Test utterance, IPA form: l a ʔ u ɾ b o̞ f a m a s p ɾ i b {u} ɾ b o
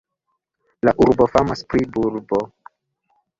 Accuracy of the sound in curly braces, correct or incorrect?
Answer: correct